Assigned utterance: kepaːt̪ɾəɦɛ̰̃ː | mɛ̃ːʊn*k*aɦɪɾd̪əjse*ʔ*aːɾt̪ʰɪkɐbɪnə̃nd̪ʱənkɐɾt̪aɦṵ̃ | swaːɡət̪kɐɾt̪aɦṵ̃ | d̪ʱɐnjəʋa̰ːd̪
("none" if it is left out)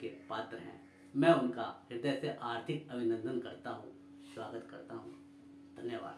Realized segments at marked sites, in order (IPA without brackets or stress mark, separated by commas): k, ʔ